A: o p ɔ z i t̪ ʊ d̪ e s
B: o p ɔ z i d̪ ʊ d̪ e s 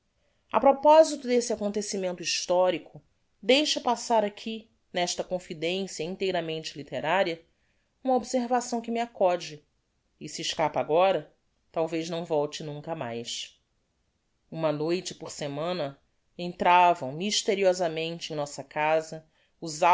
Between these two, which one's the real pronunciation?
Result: A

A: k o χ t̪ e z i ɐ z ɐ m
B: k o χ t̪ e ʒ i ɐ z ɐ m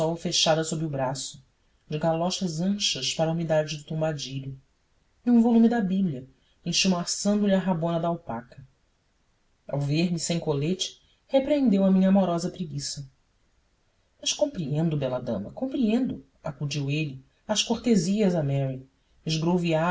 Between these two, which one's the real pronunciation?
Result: A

